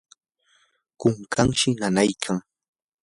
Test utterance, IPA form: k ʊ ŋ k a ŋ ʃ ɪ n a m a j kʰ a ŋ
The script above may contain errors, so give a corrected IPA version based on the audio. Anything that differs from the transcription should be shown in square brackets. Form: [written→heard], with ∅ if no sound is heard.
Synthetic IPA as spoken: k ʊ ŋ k a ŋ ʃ ɪ n a [m→n] a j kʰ a ŋ